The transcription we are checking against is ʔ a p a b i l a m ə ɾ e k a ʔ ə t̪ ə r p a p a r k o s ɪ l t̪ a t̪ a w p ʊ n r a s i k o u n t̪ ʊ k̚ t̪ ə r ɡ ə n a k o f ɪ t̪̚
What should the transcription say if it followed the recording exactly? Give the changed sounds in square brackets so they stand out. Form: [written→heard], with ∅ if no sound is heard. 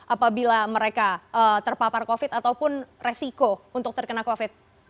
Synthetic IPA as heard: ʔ a p a b i l a m ə ɾ e k a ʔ ə t̪ ə r p a p a r k o [s→f] ɪ [l→∅] t̪ a t̪ a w p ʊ n r [a→e] s i k o u n t̪ ʊ k̚ t̪ ə r [ɡ→k] ə n a k o f ɪ t̪̚